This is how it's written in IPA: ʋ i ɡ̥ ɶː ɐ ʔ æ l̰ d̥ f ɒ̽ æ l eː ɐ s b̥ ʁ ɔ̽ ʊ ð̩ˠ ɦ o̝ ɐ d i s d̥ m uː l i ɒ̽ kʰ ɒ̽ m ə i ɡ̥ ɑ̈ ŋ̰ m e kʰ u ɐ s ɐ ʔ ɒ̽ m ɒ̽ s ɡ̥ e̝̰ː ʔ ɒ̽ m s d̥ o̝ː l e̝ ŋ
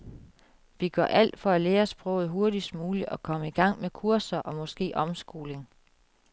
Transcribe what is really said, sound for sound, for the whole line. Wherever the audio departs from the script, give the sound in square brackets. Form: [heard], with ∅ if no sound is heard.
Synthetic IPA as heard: ʋ i ɡ̥ [ɶ] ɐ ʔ æ l̰ d̥ f ɒ̽ æ l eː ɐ s b̥ ʁ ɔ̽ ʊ ð̩ˠ ɦ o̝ ɐ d i s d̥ m uː l i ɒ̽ kʰ ɒ̽ m ə i ɡ̥ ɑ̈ ŋ̰ m e kʰ u ɐ s ɐ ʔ ɒ̽ m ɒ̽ s ɡ̥ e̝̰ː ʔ ɒ̽ m s [ɡ̥] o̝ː l e̝ ŋ